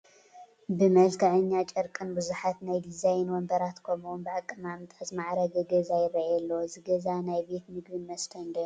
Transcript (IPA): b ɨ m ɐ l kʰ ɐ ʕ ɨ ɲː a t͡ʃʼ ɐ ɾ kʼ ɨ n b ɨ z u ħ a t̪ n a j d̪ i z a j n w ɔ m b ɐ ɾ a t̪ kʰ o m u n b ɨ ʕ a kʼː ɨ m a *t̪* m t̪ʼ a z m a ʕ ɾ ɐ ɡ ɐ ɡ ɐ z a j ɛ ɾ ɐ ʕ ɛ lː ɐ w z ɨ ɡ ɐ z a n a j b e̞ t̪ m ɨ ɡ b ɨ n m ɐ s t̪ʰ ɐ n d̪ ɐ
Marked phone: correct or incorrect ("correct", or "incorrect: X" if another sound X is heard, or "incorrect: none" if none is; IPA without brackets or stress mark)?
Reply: incorrect: none